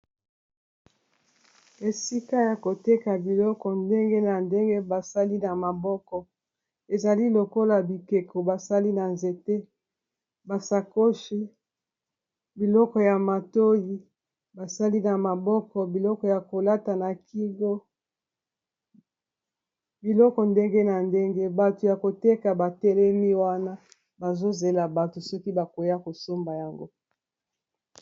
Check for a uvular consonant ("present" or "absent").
absent